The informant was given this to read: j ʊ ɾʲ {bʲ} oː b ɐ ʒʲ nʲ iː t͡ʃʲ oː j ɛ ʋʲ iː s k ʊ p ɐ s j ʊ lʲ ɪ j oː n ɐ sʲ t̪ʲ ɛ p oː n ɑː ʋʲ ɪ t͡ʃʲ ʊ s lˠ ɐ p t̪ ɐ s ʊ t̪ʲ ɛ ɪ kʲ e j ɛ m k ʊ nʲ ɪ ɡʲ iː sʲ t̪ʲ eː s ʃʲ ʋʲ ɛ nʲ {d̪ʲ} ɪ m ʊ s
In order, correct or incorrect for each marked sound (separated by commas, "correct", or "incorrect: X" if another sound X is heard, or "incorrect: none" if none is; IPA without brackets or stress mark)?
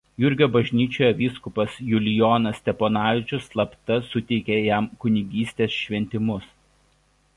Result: incorrect: ɡʲ, incorrect: t̪ʲ